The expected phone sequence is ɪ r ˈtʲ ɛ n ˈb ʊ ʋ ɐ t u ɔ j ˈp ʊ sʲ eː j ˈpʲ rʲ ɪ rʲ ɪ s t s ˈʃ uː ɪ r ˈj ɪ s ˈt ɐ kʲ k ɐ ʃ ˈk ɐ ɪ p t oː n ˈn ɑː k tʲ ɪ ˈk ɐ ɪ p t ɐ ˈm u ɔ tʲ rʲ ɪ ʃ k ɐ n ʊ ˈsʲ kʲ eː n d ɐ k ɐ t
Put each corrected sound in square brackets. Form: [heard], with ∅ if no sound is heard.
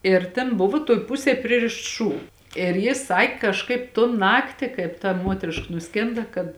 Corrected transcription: ɪ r ˈtʲ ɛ n ˈb ʊ ʋ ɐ t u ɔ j ˈp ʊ sʲ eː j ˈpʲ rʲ ɪ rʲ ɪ [ʃ] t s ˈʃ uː ɪ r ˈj ɪ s [ˈs] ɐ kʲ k ɐ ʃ ˈk ɐ ɪ p t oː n ˈn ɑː k tʲ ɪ ˈk ɐ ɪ p t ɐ ˈm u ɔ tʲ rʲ ɪ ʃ k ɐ n ʊ ˈsʲ kʲ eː n d ɐ k ɐ t